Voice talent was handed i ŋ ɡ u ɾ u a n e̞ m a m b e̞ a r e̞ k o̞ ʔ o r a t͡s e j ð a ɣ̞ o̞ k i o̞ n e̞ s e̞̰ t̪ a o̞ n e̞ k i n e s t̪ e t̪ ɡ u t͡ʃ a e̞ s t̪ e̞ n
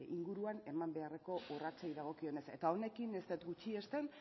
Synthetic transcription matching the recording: i ŋ ɡ u ɾ u a n e̞ m a m b e̞ a r e̞ k o̞ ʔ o r a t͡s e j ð a ɣ̞ o̞ k i o̞ n e̞ s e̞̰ t̪ a o̞ n e̞ k i n e s t̪ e t̪ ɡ u t͡ʃ i e̞ s t̪ e̞ n